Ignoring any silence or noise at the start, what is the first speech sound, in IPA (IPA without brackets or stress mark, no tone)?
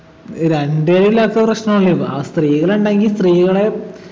ɾ